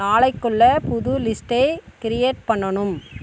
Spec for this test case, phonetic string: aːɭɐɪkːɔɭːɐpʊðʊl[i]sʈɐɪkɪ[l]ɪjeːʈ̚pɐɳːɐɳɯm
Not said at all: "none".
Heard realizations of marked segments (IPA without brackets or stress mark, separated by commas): ɪ, ɾ